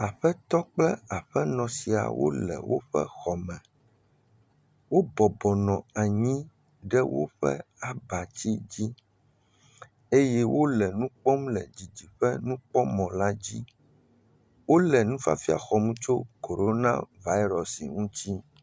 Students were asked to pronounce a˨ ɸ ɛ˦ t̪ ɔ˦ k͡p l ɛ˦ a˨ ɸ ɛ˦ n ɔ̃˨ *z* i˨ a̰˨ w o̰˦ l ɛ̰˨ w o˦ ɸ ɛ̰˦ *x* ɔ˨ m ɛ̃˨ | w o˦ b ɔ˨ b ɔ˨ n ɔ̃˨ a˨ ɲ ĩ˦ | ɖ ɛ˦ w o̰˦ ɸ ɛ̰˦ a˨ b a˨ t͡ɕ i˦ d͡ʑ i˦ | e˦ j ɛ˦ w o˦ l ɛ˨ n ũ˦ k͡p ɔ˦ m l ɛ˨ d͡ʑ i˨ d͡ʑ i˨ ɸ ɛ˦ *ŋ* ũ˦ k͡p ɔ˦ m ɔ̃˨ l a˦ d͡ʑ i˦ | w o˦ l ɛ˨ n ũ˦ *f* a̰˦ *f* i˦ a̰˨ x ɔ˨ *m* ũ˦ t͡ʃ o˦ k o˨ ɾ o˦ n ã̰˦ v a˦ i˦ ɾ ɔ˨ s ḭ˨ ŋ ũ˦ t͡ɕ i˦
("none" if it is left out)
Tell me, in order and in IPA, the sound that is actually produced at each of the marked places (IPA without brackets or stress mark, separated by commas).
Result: s, x, n, f, f, m